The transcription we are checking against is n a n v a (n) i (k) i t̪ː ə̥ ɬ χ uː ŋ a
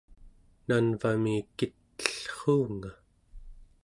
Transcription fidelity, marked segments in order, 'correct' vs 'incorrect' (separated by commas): incorrect, correct